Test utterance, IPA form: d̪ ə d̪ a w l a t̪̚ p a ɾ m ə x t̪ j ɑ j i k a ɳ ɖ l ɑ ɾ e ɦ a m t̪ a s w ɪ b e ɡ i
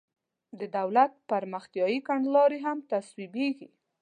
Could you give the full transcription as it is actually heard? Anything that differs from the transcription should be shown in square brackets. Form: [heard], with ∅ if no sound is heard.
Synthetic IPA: d̪ ə d̪ a w l a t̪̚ p a ɾ m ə x t̪ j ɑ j i k a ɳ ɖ l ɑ ɾ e ɦ a m t̪ a s w [i] b e ɡ i